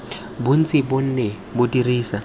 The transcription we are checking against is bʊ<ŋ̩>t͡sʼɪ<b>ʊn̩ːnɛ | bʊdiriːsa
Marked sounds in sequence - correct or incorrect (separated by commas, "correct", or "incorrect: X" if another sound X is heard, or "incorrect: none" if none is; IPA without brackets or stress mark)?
incorrect: n̩, correct